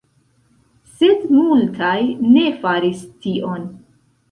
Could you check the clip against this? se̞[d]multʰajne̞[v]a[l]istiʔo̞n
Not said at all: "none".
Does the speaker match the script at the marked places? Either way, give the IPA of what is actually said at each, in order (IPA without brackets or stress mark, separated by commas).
d, f, ɾ